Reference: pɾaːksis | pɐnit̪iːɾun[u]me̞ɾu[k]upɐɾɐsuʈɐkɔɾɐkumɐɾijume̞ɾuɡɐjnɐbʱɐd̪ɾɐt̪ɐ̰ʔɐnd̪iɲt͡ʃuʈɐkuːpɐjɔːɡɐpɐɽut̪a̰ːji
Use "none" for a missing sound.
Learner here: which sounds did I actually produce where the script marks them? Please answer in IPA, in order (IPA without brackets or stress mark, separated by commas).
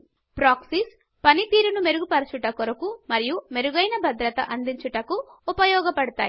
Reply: u, ɡ